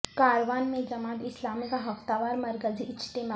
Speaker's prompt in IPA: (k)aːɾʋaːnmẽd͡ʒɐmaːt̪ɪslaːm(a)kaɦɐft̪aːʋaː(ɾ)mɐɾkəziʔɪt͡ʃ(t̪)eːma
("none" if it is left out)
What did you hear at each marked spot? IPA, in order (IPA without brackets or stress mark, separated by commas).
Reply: k, i, ɾ, t̪